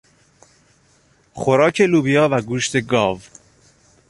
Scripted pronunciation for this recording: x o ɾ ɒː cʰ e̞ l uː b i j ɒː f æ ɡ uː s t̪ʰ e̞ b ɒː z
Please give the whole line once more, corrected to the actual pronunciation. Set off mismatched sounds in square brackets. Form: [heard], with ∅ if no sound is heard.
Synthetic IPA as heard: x o ɾ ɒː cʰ e̞ l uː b i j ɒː [v] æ ɡ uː [ʃ] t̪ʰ e̞ [ɡ] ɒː [v]